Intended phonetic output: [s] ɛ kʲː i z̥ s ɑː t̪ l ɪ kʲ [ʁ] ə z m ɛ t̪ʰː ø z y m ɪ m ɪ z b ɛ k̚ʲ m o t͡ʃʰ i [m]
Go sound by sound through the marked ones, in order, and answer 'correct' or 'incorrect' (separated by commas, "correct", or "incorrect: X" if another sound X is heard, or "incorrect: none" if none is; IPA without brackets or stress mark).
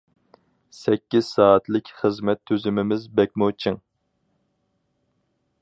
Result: correct, incorrect: χ, incorrect: ŋ